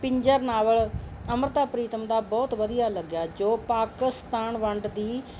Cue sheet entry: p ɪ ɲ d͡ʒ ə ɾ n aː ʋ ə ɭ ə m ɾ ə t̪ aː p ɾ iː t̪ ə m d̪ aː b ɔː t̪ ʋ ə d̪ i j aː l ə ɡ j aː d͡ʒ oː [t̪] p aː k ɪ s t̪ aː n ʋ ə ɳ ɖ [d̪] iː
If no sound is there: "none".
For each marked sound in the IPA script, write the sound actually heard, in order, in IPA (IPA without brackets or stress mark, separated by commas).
none, d̪